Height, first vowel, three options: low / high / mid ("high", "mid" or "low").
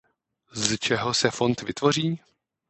mid